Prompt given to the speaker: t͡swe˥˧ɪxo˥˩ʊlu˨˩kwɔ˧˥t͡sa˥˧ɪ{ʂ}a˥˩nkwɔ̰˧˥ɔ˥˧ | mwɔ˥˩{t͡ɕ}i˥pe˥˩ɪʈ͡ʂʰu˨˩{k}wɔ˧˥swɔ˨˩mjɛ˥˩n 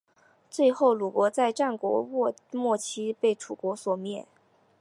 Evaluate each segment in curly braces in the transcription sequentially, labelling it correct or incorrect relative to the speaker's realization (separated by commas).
incorrect, incorrect, correct